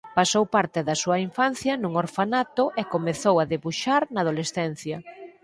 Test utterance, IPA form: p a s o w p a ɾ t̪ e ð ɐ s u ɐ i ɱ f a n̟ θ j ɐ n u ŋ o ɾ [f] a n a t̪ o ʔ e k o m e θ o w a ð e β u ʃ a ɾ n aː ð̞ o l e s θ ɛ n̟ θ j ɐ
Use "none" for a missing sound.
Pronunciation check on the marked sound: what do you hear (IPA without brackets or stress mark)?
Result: f